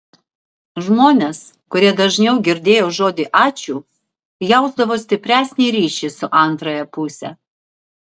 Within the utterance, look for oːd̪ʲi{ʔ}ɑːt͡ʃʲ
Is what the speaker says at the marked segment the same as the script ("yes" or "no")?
yes